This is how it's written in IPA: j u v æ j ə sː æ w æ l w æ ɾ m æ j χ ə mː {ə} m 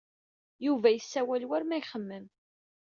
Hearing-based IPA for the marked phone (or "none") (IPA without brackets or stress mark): ə